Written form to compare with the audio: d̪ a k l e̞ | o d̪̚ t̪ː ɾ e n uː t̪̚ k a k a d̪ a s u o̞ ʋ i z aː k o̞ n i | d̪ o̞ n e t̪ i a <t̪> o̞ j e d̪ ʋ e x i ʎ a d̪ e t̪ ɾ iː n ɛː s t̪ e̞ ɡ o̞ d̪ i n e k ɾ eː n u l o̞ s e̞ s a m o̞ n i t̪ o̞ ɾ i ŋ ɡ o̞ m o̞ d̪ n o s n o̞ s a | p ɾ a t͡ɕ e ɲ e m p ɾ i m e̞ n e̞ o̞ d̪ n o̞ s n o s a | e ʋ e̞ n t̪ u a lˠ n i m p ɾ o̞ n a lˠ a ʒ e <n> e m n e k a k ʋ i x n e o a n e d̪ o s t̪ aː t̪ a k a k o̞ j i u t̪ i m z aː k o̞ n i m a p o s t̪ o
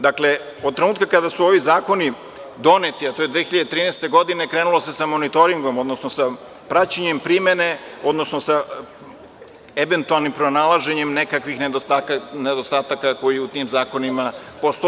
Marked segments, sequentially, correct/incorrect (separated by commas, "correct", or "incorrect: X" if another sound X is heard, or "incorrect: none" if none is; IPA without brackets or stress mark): correct, incorrect: ɲ